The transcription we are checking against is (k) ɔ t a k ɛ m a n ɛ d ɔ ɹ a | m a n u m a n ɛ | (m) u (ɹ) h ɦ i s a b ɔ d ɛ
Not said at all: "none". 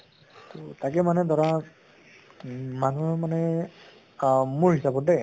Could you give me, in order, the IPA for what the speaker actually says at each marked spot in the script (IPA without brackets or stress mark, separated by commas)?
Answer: t, m, ɹ